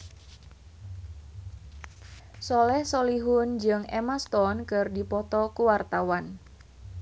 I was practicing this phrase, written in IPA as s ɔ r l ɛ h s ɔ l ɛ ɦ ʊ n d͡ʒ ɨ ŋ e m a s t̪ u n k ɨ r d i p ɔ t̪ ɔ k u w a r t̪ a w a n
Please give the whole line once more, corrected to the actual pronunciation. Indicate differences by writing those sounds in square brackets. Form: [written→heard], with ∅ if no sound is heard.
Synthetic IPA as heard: s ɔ [r→∅] l ɛ h s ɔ l [ɛ→i] ɦ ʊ n d͡ʒ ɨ ŋ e m a s t̪ [u→ɔ] n k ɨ r d i p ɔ t̪ ɔ k u w a r t̪ a w a n